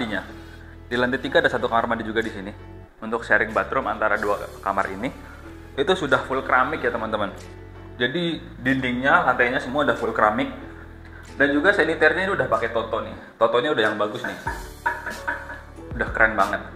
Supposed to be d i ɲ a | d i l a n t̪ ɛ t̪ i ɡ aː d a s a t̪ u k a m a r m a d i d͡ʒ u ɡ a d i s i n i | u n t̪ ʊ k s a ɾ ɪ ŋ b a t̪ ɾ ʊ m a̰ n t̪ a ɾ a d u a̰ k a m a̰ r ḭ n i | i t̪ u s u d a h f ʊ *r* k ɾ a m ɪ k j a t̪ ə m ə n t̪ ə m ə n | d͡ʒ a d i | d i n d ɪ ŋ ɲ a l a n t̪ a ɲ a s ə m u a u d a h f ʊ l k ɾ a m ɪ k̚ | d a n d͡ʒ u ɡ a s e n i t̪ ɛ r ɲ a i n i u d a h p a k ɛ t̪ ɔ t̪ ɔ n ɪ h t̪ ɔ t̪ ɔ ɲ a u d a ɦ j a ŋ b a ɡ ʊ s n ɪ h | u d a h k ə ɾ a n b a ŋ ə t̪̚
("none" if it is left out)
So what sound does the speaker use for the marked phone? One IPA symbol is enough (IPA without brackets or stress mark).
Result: l